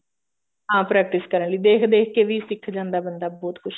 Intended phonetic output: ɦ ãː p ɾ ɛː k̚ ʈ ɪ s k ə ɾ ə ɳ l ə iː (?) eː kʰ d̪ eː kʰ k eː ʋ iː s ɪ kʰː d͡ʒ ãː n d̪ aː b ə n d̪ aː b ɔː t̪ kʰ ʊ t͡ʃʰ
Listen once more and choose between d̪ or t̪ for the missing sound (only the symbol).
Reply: d̪